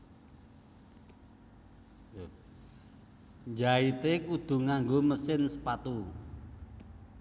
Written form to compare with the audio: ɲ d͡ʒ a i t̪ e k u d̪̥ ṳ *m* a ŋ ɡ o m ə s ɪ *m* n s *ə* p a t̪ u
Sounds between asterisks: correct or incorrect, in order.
incorrect, incorrect, correct

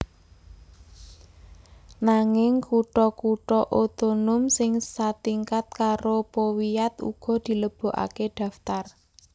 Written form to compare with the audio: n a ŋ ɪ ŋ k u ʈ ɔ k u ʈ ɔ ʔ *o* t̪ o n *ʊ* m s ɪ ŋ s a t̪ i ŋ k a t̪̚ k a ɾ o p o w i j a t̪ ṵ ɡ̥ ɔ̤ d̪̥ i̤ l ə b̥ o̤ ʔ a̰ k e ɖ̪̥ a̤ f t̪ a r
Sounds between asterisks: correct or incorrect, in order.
correct, correct

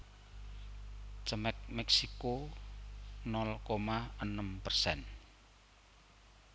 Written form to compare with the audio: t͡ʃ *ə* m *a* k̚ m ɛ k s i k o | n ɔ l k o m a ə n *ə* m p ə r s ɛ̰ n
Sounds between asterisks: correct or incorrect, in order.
correct, incorrect, correct

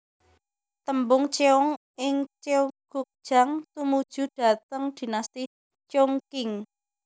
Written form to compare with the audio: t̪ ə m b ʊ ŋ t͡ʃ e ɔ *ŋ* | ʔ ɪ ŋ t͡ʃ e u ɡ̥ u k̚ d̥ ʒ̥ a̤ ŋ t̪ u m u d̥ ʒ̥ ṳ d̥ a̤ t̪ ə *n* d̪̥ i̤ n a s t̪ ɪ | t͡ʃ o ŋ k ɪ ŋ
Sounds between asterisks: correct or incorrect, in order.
correct, incorrect

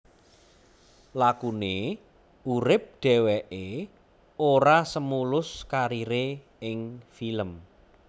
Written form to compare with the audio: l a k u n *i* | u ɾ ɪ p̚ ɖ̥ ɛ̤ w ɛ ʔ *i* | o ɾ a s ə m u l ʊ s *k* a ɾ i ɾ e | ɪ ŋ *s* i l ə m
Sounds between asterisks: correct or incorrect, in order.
incorrect, incorrect, correct, incorrect

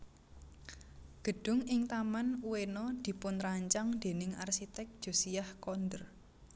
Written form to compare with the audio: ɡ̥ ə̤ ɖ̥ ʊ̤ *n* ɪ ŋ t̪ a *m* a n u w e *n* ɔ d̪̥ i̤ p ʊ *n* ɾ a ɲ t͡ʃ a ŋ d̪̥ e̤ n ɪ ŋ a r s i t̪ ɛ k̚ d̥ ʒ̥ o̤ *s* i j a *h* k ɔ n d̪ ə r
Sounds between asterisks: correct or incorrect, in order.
incorrect, correct, correct, correct, correct, correct

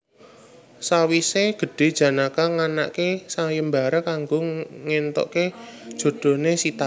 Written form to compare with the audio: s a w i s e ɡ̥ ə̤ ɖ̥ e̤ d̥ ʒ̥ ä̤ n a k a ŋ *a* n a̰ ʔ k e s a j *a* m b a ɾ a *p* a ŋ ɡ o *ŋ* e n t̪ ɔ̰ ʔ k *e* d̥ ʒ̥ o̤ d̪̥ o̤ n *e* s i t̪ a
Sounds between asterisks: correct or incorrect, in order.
correct, incorrect, incorrect, correct, correct, correct

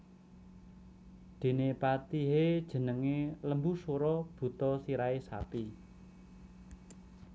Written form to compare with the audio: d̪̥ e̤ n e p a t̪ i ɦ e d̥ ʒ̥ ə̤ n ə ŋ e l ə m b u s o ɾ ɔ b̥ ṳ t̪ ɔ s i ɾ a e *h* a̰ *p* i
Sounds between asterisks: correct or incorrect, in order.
incorrect, correct

